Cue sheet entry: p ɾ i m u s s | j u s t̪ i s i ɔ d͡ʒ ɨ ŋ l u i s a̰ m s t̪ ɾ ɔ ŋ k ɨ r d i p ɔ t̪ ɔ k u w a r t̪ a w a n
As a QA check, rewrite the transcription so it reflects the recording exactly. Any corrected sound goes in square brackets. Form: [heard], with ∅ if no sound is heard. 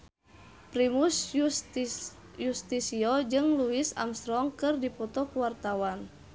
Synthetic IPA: p ɾ i m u s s | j u s t̪ i s i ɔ d͡ʒ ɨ ŋ l u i s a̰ m s t̪ ɾ ɔ ŋ k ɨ r d i p ɔ t̪ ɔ k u w a r t̪ a w a n